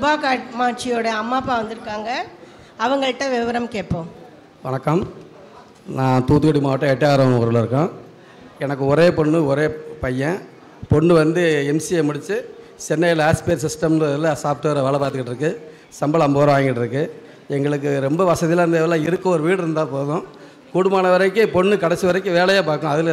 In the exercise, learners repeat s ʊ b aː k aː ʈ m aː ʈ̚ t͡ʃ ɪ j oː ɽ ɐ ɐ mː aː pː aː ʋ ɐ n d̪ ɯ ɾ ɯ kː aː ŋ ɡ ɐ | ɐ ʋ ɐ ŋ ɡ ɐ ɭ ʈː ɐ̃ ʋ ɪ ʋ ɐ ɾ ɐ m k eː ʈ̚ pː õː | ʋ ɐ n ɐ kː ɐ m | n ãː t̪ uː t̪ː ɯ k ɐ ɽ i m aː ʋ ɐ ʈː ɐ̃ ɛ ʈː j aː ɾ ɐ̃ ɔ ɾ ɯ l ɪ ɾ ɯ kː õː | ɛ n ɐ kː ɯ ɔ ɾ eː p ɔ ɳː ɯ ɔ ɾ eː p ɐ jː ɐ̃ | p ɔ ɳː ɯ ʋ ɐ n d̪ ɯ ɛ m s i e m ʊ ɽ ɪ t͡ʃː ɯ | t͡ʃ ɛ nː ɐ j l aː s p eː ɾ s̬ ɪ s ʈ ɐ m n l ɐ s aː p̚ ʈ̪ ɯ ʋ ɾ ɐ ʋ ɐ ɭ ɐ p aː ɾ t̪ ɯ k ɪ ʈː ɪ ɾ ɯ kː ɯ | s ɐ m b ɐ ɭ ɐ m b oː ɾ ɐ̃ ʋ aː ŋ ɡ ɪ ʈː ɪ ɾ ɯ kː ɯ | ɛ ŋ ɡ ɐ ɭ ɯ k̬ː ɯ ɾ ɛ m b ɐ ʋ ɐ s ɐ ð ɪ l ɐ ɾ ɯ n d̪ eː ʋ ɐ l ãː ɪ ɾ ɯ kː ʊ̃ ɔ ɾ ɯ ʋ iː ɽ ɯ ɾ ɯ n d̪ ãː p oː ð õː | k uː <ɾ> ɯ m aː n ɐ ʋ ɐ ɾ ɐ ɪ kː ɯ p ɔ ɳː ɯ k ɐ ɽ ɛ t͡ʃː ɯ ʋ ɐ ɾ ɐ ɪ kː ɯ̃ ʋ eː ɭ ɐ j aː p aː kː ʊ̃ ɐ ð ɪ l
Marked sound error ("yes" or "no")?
yes